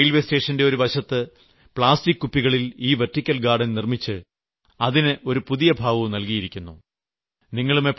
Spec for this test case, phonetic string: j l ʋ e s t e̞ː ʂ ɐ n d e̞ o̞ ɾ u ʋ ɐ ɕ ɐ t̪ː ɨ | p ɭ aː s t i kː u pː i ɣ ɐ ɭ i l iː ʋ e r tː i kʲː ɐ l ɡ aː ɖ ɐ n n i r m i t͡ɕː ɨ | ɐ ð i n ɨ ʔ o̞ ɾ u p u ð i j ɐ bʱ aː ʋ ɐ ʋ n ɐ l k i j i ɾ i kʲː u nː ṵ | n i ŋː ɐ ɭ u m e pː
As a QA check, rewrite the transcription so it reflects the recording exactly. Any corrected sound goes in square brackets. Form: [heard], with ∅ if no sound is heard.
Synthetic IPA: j l ʋ e s t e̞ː ʂ ɐ n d e̞ o̞ ɾ u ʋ ɐ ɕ ɐ t̪ː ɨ | p ɭ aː s t i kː u pː i ɣ ɐ ɭ i l iː ʋ e r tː i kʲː ɐ l ɡ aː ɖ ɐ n n i r m i t͡ɕː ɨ | ɐ ð i n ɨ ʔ o̞ ɾ u p u ð i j ɐ bʱ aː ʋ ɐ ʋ n ɐ l k i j i ɾ i kʲː u nː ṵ | n i ŋː ɐ ɭ u m e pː